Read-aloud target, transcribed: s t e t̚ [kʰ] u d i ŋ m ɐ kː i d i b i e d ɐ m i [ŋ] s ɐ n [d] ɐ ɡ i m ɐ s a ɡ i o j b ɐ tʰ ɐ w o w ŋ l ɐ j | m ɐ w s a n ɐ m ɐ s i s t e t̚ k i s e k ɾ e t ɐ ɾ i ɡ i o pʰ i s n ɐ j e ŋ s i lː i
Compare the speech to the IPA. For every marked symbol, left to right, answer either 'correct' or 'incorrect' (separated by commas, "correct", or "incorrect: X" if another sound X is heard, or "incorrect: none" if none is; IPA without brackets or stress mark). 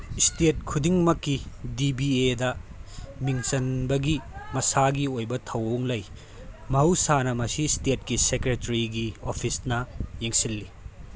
correct, correct, incorrect: b